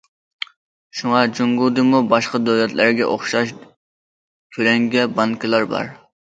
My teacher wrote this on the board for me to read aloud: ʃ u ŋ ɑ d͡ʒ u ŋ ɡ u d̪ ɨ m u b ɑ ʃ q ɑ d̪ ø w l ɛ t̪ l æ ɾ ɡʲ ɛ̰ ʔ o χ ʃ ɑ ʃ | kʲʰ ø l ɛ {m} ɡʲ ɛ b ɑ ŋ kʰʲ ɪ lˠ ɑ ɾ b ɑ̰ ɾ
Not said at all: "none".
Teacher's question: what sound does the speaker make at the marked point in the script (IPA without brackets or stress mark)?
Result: ŋ